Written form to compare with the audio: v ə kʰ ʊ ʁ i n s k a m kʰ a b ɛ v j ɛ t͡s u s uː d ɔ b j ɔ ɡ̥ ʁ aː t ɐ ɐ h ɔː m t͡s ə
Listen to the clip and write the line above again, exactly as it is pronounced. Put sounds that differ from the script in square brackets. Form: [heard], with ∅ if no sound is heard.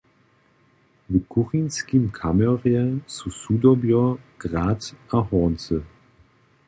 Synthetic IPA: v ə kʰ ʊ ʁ i n s k [i] m kʰ a [m] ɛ [ʁ] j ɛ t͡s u s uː d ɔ b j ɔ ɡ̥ ʁ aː t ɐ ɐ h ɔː [n] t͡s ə